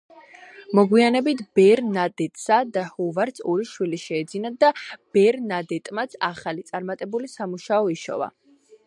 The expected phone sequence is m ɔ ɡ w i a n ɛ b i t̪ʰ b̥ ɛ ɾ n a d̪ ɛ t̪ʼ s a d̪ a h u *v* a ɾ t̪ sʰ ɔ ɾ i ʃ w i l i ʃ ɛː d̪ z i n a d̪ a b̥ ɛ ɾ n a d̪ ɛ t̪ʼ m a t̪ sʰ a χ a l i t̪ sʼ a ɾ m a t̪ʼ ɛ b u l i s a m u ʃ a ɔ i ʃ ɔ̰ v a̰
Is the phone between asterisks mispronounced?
no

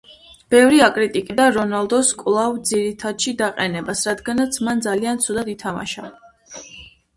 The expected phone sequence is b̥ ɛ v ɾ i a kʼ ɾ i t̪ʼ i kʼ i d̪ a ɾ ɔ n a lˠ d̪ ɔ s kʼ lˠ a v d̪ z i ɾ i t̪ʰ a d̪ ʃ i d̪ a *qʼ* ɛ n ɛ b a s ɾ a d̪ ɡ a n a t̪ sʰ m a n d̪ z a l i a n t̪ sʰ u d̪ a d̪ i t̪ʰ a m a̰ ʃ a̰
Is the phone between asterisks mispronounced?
no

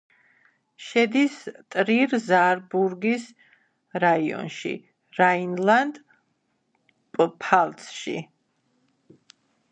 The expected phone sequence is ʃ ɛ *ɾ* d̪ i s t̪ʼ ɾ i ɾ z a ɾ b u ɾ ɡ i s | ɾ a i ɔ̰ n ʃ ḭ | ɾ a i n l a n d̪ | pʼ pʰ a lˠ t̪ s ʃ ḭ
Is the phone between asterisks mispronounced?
yes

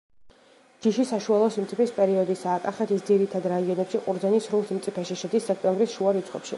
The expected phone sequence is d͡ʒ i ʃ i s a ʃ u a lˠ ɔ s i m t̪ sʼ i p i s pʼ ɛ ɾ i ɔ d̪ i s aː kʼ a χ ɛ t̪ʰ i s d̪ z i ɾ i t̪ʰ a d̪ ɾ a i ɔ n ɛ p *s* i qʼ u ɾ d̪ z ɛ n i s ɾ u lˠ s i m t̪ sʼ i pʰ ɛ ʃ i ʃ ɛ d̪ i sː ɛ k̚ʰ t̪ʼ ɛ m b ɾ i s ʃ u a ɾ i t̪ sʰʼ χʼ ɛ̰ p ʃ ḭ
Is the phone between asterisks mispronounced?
yes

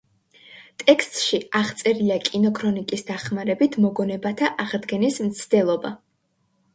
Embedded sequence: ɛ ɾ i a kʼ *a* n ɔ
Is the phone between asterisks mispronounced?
yes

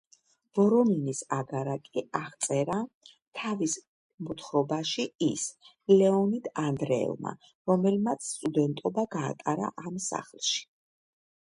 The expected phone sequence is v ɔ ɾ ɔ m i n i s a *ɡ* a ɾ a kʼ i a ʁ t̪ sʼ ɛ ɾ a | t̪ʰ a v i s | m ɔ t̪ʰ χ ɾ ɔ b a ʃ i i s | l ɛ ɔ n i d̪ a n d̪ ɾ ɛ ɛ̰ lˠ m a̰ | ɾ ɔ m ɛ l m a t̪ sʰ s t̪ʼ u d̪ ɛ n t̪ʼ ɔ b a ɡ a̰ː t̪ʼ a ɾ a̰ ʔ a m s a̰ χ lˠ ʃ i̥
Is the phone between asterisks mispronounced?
no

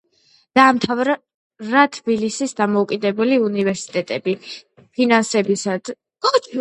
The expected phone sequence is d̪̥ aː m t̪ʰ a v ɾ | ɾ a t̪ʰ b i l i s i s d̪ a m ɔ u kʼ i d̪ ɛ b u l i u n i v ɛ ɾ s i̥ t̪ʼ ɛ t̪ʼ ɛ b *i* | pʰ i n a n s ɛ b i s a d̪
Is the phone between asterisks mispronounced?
no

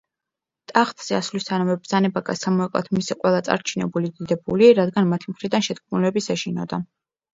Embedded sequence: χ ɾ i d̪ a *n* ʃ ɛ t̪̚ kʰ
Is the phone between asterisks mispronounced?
no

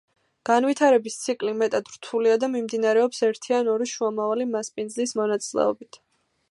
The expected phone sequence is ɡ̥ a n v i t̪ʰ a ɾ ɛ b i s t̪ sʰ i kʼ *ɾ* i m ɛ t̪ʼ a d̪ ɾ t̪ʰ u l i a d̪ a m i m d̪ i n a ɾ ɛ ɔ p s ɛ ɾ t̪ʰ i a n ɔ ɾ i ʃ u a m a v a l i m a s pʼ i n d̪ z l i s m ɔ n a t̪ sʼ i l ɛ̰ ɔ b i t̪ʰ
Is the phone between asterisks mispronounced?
yes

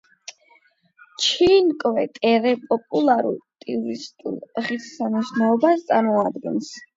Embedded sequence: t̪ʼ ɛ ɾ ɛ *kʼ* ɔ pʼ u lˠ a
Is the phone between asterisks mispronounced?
yes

